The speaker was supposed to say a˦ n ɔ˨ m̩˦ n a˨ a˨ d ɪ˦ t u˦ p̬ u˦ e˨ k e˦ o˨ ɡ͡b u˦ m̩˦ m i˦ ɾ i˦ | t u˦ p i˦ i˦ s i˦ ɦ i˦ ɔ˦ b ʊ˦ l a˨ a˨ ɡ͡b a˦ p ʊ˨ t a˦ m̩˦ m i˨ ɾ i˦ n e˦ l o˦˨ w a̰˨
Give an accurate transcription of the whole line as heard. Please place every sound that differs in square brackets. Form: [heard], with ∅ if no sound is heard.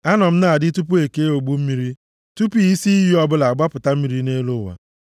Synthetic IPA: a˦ n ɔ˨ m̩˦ n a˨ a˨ d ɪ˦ t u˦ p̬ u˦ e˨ k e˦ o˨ ɡ͡b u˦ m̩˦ m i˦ ɾ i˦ | t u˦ p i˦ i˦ s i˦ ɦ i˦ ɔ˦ b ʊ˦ l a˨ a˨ ɡ͡b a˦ p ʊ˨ t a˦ m̩˦ m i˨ ɾ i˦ n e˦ l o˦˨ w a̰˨